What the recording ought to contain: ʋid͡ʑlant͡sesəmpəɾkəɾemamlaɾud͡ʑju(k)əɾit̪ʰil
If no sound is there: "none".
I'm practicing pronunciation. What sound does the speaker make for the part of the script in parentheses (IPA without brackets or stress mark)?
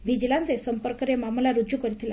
k